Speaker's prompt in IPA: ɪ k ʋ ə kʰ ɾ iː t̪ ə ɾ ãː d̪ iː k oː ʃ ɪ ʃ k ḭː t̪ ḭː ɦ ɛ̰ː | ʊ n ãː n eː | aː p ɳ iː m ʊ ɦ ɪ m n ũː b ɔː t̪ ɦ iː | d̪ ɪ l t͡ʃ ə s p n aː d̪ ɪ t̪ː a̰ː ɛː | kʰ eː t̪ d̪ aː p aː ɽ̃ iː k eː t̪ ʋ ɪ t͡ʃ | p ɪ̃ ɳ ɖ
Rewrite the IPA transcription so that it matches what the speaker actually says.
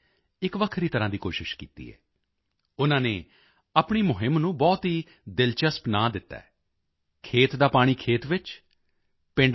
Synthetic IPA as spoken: ɪ k ʋ ə kʰ ɾ iː t̪ ə ɾ ãː d̪ iː k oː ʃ ɪ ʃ k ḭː t̪ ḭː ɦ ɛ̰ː | ʊ n ãː n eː | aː p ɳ iː m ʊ ɦ ɪ m n ũː b ɔː t̪ ɦ iː | d̪ ɪ l t͡ʃ ə s p n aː d̪ ɪ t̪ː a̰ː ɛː | kʰ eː t̪ d̪ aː p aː ɽ̃ iː kʰ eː t̪ ʋ ɪ t͡ʃ | p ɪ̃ ɳ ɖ